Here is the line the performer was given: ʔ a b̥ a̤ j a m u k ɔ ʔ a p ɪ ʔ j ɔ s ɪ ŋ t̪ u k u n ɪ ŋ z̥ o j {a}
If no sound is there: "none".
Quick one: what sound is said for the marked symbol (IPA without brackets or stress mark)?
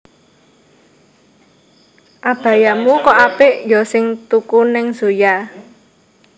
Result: a